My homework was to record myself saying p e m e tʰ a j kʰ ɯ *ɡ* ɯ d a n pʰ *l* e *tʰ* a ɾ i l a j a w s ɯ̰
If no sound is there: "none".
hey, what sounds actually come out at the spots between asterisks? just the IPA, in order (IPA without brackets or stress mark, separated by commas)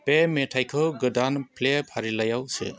ɡ, l, pʰ